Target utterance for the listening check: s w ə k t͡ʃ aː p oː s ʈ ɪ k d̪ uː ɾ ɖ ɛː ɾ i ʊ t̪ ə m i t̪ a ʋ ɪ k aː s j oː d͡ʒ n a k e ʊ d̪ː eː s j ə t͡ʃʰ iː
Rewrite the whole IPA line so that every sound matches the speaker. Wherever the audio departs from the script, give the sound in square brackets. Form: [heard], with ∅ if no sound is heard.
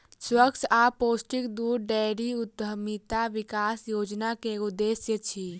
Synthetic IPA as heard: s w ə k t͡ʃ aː p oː s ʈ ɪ k d̪ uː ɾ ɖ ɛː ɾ i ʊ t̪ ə m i t̪ a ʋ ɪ k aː s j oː d͡ʒ n a k e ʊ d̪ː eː s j ə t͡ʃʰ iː